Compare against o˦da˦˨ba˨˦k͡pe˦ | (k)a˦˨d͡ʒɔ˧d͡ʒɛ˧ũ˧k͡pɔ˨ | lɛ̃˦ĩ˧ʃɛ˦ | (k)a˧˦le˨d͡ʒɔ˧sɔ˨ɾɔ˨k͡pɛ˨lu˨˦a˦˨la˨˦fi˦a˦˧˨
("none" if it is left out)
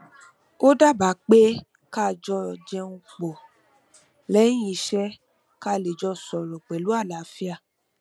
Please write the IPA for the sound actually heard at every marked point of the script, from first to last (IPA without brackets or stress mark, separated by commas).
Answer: k, k